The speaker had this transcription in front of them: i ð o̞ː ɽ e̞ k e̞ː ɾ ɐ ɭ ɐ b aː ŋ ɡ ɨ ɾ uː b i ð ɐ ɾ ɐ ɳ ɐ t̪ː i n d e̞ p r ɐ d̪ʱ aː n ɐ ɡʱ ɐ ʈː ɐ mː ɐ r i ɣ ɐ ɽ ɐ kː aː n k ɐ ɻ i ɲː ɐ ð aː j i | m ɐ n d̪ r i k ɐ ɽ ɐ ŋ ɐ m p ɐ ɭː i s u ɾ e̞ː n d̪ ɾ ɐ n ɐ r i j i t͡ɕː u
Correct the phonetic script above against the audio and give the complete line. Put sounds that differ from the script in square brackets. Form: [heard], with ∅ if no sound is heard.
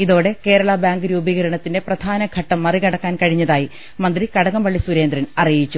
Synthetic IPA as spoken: i ð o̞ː ɽ e̞ k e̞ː ɾ ɐ ɭ ɐ b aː ŋ ɡ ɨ ɾ uː b i [ɣ] ɐ ɾ ɐ ɳ ɐ t̪ː i n d e̞ p r ɐ d̪ʱ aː n ɐ ɡʱ ɐ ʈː ɐ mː ɐ r i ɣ ɐ ɽ ɐ kː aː n k ɐ ɻ i ɲː ɐ ð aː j i | m ɐ n d̪ r i k ɐ ɽ ɐ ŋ ɐ m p ɐ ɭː i s u ɾ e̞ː n d̪ ɾ ɐ n ɐ r i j i t͡ɕː u